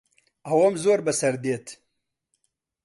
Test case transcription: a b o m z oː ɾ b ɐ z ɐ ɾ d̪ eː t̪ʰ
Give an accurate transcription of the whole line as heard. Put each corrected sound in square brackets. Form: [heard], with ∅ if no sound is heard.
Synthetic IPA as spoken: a [w] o m z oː ɾ b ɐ [s] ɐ ɾ d̪ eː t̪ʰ